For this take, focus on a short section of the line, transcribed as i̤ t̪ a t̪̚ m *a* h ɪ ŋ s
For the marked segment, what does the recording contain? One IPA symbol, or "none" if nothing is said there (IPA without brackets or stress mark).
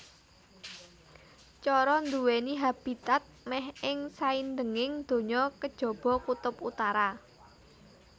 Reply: ɛ